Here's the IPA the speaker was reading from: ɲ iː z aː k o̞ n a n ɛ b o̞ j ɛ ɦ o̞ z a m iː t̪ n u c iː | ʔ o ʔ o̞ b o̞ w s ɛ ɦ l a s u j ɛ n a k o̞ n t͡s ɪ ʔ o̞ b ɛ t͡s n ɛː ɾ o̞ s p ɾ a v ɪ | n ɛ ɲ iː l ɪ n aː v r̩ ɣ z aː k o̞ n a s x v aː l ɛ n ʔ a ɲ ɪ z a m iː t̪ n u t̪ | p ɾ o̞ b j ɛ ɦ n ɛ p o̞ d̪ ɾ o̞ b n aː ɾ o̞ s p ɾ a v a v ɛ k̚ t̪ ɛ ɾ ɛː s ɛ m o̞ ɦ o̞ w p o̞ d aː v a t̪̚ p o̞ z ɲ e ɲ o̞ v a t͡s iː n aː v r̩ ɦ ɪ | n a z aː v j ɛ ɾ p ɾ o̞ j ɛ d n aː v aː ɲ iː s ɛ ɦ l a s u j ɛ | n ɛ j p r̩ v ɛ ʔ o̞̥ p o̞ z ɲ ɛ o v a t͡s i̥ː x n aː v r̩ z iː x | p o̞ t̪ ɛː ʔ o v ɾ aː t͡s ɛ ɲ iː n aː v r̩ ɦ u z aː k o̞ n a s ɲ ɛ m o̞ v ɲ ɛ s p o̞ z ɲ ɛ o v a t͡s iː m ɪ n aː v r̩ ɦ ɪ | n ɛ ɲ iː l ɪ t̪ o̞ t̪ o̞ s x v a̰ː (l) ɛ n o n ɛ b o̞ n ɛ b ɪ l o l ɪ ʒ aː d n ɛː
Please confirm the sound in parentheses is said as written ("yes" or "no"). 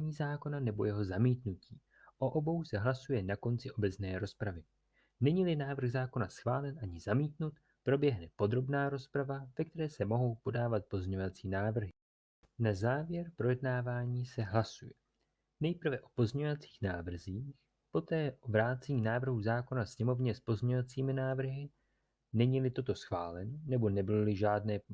yes